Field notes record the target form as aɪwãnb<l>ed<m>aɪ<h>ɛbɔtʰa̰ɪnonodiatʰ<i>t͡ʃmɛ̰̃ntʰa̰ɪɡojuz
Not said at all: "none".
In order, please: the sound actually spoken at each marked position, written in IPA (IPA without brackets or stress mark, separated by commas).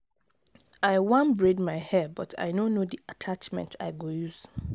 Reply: ɹ, m, h, a